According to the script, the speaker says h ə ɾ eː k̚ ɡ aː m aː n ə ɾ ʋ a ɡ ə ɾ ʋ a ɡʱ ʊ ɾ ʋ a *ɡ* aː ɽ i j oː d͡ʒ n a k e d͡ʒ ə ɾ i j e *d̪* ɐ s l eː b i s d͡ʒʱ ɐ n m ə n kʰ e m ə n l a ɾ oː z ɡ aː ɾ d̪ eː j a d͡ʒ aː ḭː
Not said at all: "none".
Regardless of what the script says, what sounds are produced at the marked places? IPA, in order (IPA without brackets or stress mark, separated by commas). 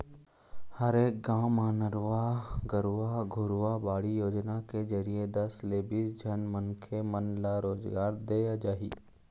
b, d̪